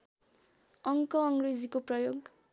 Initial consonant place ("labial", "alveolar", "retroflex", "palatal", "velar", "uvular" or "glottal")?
velar